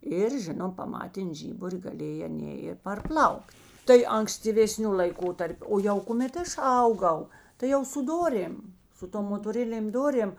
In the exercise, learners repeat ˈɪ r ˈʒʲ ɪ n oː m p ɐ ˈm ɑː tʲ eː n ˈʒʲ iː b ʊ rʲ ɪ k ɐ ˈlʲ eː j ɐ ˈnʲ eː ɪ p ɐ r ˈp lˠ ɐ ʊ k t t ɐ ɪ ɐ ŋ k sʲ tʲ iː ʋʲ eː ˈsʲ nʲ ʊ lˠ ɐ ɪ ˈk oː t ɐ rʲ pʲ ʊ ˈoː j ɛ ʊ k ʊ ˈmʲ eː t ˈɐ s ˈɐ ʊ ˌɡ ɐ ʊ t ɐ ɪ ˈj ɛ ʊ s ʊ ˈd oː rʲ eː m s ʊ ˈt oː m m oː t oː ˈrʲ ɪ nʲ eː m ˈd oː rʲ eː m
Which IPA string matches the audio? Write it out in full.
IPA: ˈɪ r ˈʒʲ ɪ n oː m p ɐ ˈm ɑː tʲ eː n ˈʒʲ iː b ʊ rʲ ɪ ɡ ɐ ˈlʲ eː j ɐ ˈnʲ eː ɪ p ɐ r ˈp lˠ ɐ ʊ k t t ɐ ɪ ɐ ŋ k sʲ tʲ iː ʋʲ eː ˈsʲ nʲ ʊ lˠ ɐ ɪ ˈk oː t ɐ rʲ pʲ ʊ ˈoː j ɛ ʊ k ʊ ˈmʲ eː t ˈɐ ʃ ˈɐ ʊ ˌɡ ɐ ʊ t ɐ ɪ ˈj ɛ ʊ s ʊ ˈd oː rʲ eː m s ʊ ˈt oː m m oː t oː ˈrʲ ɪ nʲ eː m ˈd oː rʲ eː m